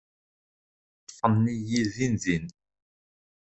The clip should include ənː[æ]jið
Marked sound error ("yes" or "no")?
yes